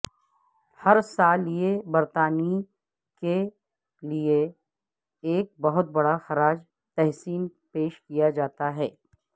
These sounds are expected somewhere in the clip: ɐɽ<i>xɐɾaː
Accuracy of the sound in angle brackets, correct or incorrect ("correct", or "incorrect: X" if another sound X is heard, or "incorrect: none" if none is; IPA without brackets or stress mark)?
incorrect: a